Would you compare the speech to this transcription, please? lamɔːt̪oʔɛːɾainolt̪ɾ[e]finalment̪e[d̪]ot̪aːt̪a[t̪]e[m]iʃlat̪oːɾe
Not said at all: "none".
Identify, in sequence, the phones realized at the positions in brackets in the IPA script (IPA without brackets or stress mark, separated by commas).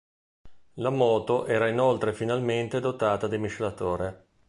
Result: e, d̪, d̪, m